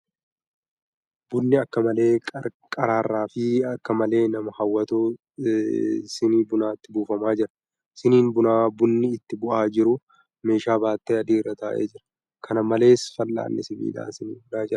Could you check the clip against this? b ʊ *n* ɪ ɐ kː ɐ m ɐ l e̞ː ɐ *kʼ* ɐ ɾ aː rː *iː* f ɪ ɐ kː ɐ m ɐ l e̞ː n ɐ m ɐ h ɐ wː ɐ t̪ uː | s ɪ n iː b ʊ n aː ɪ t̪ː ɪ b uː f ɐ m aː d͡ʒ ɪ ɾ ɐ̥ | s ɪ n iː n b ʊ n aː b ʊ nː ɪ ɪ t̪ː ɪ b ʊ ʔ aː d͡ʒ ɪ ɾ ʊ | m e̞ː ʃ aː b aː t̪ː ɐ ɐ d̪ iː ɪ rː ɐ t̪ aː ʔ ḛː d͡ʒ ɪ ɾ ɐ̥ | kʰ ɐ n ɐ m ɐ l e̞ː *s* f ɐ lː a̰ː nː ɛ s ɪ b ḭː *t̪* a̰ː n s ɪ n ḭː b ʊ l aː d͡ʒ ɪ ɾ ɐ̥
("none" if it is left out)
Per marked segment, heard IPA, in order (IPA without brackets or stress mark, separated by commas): nː, kʼ, aː, s, d̪